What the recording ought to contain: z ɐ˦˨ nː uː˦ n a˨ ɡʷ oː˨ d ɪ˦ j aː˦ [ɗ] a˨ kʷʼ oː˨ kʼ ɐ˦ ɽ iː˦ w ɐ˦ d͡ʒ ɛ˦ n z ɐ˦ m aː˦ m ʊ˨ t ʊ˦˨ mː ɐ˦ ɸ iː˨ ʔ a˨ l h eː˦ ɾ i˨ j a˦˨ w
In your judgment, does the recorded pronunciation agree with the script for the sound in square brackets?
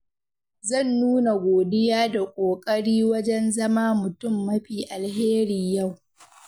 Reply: no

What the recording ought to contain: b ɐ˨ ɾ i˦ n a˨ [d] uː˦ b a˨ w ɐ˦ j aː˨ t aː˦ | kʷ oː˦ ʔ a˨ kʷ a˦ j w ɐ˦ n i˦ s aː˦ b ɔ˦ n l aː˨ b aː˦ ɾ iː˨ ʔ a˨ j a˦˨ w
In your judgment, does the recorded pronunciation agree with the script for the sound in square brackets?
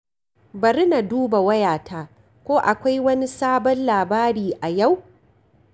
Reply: yes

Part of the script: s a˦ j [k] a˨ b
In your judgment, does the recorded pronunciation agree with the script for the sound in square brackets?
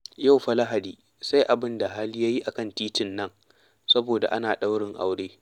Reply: no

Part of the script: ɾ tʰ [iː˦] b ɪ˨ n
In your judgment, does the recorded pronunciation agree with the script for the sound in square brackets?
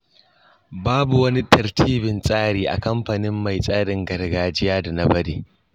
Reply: yes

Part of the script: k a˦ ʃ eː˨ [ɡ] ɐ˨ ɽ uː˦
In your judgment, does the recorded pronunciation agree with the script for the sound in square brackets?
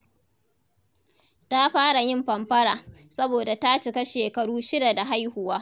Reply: no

